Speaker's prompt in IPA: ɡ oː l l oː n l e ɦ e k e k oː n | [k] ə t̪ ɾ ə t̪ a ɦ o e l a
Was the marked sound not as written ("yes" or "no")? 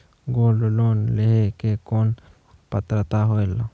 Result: yes